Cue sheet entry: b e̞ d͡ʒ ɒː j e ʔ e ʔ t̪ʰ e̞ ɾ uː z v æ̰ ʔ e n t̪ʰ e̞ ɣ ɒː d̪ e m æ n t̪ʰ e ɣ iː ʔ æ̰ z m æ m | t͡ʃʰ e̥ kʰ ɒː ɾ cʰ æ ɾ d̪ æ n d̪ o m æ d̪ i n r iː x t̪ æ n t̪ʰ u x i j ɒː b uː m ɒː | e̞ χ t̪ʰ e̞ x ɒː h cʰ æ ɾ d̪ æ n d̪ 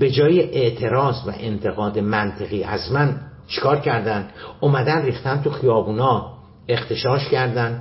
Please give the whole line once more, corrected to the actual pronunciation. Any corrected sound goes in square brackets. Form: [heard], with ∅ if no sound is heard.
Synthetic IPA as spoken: b e̞ d͡ʒ ɒː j e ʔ e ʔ t̪ʰ e̞ ɾ [ɒː] z v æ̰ ʔ e n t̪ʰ e̞ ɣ ɒː d̪ e m æ n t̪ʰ e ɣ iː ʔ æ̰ z m æ [n] | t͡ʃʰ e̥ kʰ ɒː ɾ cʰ æ ɾ d̪ æ n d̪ o m æ d̪ [æ] n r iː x t̪ æ n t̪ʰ u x i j ɒː b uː [n] ɒː | e̞ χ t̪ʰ e̞ [ʃ] ɒː [ʃ] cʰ æ ɾ d̪ æ n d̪